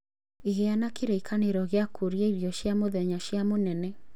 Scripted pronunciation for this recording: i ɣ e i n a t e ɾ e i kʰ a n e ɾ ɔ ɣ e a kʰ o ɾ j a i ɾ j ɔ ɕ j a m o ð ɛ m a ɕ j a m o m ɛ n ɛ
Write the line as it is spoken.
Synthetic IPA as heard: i ɣ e a n a k e ɾ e i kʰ a n e ɾ ɔ ɣ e a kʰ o ɾ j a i ɾ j ɔ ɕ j a m o ð ɛ ɲ a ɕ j a m o n ɛ n ɛ